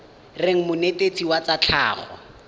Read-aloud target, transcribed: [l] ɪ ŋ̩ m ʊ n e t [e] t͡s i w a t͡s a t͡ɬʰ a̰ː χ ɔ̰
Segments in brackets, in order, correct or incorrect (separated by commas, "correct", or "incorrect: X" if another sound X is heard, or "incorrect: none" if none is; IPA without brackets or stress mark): incorrect: r, correct